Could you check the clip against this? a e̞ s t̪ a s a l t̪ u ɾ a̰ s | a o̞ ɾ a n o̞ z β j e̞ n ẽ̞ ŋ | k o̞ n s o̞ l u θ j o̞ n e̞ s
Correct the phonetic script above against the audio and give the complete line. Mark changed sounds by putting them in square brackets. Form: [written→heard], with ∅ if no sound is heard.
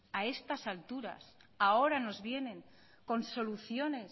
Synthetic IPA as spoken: a e̞ s t̪ a s a l t̪ u ɾ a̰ s | a o̞ ɾ a n o̞ z β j e̞ n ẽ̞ ŋ | k o̞ n s o̞ l u θ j o̞ n e̞ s